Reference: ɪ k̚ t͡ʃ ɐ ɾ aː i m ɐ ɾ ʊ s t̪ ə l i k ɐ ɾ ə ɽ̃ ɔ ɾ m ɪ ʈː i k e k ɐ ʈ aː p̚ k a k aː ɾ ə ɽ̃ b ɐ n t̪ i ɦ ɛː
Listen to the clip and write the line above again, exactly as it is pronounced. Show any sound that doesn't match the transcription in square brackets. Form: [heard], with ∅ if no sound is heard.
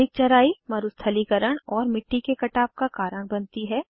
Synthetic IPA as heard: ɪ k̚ t͡ʃ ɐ ɾ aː i m ɐ ɾ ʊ s [t̪ʰ] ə l i k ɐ ɾ ə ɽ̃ [ɔː] ɾ m ɪ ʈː i k e k ɐ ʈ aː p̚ k a k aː ɾ ə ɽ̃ b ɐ n t̪ i ɦ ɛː